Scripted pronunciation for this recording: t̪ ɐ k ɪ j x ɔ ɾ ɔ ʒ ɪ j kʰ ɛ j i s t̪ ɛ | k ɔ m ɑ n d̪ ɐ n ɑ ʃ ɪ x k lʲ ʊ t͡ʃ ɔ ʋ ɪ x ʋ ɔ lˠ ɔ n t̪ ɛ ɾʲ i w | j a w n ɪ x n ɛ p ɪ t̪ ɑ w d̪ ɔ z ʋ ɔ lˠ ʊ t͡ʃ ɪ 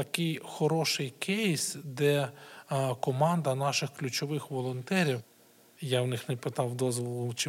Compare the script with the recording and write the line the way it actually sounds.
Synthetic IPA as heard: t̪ ɐ k ɪ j x ɔ ɾ ɔ ʃ ɪ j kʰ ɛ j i s d̪ ɛ | k ɔ m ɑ n d̪ ɐ n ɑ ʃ ɪ x k lʲ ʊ t͡ʃ ɔ ʋ ɪ x ʋ ɔ lˠ ɔ n t̪ ɛ ɾʲ i w | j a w n ɪ x n ɛ p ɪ t̪ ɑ w d̪ ɔ z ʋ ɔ lˠ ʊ t͡ʃ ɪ